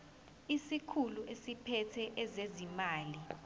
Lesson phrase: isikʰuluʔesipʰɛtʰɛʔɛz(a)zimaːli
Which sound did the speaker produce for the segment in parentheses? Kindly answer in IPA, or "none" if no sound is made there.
e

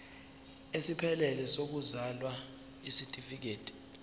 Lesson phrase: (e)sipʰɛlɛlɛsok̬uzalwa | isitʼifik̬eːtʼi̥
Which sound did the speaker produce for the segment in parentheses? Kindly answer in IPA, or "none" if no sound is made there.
e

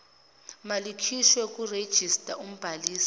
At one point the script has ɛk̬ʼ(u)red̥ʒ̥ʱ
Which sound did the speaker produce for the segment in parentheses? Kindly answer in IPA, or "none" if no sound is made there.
u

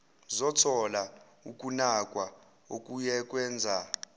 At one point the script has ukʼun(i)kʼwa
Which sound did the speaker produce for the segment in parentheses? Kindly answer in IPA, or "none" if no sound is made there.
a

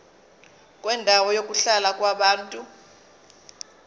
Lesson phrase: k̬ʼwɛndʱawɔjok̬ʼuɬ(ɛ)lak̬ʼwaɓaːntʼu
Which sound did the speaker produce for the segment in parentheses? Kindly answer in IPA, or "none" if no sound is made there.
a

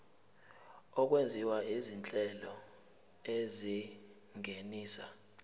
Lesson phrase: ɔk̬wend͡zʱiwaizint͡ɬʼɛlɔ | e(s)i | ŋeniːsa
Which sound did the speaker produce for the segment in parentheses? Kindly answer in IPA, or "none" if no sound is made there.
z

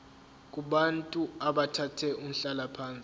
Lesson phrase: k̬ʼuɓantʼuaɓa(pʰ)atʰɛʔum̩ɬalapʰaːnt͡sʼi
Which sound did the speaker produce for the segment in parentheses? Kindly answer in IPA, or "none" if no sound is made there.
tʰ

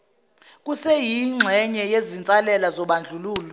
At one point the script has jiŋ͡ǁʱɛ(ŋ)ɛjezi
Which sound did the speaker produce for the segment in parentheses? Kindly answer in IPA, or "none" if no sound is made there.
ɲ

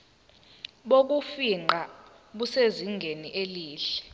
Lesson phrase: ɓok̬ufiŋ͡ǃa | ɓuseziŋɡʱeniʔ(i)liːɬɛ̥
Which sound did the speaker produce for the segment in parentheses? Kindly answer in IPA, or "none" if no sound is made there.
e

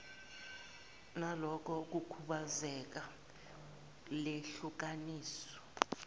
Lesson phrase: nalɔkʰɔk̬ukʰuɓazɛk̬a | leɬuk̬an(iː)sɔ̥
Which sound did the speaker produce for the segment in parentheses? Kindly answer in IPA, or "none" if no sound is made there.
iː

